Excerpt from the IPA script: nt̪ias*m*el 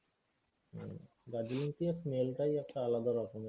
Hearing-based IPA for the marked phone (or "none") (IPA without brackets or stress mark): m